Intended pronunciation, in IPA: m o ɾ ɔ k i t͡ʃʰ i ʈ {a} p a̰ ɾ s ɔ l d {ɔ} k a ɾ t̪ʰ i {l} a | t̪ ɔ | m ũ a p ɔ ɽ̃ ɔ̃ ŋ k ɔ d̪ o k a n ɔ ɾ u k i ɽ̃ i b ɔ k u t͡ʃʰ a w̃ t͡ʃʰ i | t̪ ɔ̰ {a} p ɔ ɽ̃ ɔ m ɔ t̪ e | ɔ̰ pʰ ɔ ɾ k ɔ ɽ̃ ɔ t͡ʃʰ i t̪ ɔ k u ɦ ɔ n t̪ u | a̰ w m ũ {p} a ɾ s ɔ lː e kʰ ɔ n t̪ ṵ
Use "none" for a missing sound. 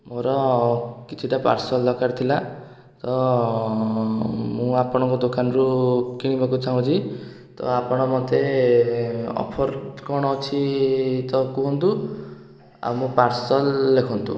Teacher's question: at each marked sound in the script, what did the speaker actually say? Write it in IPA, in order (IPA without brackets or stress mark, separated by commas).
a, ɔ, l, a, p